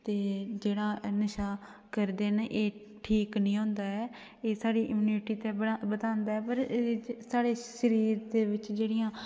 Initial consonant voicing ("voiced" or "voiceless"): voiceless